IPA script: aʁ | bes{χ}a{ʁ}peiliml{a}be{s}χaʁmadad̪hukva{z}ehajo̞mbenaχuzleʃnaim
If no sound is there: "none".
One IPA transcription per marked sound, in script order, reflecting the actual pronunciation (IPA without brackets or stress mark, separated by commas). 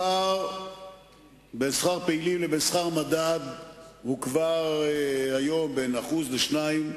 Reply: χ, ʁ, e, s, ʁ